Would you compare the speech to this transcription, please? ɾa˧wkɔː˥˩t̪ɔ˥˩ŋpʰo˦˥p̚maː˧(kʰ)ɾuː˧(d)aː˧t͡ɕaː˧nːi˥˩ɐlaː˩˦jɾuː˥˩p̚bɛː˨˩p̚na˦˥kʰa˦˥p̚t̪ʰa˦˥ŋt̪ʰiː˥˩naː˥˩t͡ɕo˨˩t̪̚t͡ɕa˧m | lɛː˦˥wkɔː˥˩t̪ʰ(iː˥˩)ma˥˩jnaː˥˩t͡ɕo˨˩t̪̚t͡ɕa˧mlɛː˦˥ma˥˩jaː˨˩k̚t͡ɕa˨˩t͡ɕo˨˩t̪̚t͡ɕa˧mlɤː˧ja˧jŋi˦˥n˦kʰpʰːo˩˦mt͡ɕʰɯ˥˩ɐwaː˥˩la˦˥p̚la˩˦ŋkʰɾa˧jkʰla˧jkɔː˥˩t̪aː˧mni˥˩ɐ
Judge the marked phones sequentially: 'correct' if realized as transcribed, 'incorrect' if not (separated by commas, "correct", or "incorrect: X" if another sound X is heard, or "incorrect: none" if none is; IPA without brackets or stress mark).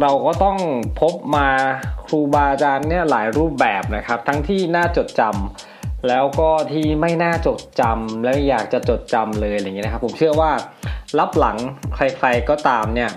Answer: correct, incorrect: b, correct